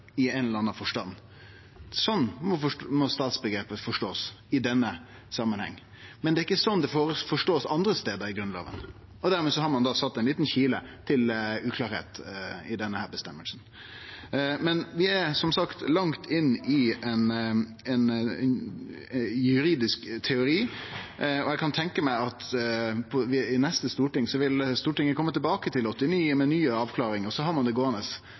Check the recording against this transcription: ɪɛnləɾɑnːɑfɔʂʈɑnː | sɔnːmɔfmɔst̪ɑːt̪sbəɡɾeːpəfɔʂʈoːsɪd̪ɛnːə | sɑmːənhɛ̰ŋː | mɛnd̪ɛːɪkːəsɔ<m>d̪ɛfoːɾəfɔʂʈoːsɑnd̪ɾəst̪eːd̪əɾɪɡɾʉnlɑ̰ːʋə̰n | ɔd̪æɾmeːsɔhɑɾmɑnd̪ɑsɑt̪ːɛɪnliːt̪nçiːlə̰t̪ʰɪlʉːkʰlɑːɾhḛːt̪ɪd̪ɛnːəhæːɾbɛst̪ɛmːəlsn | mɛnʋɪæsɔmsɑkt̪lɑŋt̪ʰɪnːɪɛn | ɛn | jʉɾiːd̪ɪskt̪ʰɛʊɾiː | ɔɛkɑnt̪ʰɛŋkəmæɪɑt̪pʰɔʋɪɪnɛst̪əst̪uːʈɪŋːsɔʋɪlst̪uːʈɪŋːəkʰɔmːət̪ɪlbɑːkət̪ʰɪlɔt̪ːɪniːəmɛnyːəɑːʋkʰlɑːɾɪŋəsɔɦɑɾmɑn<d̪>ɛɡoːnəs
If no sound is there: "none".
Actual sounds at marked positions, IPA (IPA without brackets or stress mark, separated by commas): n, d̪